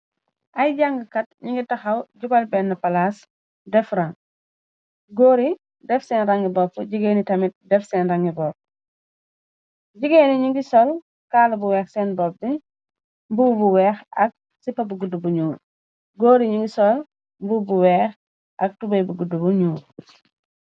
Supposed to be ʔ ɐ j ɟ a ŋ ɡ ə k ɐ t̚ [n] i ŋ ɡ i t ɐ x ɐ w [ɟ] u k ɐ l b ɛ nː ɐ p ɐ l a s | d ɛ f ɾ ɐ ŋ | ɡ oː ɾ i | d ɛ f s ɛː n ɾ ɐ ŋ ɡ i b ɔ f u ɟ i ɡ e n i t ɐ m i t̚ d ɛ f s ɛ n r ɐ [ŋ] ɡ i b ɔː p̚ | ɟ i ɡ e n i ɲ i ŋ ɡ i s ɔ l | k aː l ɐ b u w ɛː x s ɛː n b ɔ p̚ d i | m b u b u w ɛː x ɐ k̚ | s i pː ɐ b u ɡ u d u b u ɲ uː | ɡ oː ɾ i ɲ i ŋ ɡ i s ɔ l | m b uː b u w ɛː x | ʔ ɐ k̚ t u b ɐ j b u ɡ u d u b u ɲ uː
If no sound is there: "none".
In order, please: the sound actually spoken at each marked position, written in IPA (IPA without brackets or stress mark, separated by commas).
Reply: ɲ, ɟ, ŋ